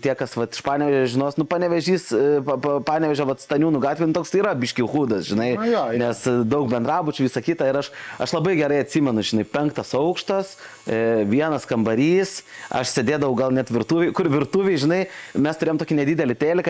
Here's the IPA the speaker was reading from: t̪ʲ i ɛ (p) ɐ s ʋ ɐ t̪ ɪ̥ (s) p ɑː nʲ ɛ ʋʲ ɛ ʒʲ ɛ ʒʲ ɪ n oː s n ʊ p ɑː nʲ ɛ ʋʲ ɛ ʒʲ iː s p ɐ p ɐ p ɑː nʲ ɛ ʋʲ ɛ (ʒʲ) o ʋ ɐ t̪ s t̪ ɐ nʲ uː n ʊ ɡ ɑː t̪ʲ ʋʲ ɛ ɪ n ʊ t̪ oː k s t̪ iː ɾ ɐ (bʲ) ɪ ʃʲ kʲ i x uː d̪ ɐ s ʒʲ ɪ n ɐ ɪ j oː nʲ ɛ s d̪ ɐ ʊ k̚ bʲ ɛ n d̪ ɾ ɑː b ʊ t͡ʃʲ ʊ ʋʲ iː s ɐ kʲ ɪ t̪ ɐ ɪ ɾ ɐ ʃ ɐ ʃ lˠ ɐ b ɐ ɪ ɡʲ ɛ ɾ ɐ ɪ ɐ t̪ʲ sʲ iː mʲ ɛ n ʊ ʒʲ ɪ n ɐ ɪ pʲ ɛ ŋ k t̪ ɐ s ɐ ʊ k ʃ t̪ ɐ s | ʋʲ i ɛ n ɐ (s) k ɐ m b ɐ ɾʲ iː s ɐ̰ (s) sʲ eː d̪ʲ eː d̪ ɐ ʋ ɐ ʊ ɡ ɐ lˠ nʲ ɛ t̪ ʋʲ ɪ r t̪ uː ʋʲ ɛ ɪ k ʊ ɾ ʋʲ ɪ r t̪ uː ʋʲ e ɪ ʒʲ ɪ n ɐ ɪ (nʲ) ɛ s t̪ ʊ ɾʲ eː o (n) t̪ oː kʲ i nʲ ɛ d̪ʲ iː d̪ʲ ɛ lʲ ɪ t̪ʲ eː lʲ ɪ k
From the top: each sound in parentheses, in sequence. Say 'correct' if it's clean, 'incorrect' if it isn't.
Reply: incorrect, incorrect, correct, correct, correct, incorrect, incorrect, incorrect

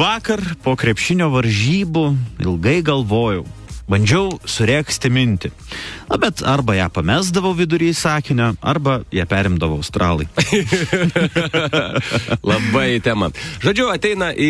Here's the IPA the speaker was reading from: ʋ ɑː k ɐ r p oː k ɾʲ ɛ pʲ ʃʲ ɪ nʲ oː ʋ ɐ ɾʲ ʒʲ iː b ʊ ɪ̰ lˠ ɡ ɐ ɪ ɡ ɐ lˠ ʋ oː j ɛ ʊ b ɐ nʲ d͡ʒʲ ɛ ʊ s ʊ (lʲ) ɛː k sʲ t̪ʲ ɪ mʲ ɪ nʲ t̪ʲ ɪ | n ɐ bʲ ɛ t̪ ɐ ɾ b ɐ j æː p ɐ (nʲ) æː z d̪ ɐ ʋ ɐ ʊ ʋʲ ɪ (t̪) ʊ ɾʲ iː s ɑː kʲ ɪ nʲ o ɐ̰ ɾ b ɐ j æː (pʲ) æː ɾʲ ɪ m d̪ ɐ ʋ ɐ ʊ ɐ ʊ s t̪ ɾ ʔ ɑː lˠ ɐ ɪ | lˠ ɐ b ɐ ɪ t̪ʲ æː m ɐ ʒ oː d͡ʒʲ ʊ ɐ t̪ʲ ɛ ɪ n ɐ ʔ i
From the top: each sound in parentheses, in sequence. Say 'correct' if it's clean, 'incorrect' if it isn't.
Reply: incorrect, incorrect, incorrect, correct

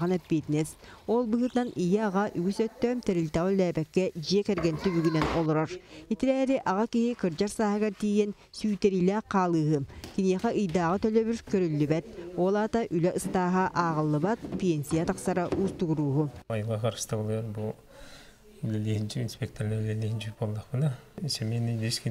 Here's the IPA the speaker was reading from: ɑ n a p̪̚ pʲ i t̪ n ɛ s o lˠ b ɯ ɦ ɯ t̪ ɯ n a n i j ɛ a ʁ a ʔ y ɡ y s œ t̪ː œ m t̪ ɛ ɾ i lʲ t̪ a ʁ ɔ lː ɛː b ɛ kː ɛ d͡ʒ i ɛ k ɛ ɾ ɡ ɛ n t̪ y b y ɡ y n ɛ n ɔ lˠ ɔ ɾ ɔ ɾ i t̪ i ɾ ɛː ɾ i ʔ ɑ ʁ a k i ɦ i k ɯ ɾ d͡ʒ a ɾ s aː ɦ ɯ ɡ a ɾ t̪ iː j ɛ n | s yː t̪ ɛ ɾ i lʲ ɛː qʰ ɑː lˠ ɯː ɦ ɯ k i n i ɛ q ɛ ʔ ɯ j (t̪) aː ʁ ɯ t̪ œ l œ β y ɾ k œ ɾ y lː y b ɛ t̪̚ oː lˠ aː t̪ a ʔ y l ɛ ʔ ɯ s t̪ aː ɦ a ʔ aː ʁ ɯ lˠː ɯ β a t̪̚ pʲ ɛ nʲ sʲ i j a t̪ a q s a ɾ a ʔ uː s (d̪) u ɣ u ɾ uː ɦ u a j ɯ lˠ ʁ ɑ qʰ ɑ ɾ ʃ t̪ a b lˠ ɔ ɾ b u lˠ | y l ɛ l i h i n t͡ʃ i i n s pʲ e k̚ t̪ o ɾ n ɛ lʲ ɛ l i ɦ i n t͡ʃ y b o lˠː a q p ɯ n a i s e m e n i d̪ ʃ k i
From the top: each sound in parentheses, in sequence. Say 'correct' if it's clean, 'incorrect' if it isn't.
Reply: incorrect, incorrect

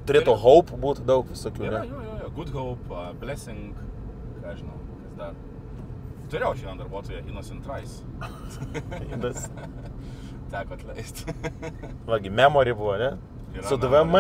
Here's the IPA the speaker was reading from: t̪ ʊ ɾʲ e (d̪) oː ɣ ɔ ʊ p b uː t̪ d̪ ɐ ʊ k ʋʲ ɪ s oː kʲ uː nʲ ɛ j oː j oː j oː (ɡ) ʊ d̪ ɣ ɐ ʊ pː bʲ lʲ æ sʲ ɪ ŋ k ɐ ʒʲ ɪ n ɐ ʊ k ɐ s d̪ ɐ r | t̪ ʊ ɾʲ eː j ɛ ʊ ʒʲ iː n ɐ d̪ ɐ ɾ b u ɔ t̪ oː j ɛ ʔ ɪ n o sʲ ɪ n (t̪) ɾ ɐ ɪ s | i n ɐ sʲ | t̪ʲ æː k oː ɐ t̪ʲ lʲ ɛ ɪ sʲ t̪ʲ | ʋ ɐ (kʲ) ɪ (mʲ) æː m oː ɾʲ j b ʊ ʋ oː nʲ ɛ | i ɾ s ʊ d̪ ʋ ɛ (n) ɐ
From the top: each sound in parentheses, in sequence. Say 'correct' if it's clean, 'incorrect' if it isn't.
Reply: incorrect, correct, correct, incorrect, correct, incorrect

